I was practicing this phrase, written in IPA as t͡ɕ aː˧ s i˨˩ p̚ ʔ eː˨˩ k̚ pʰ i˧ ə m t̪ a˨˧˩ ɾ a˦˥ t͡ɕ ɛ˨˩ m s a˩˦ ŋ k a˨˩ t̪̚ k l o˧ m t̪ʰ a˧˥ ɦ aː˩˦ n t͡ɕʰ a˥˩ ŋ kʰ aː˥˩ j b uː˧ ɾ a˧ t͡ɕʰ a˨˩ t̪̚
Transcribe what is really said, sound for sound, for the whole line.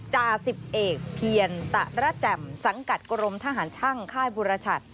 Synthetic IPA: t͡ɕ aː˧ s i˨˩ p̚ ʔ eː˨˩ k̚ pʰ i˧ ə n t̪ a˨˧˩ ɾ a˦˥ t͡ɕ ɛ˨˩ m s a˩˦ ŋ k a˨˩ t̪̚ k ɾ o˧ m t̪ʰ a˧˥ ɦ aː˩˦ n t͡ɕʰ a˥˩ ŋ kʰ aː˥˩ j b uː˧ ɾ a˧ t͡ɕʰ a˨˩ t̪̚